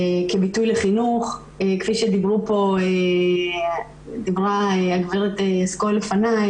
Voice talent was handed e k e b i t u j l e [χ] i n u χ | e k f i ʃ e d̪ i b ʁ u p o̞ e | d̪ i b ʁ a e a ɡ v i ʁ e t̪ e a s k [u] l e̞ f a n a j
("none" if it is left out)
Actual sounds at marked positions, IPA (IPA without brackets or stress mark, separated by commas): χ, o